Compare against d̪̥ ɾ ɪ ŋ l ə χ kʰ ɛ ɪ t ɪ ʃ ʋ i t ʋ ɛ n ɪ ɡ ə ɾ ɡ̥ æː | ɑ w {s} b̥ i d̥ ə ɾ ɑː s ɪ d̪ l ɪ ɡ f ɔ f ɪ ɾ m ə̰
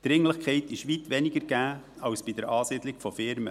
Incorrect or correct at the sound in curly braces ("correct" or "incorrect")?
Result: correct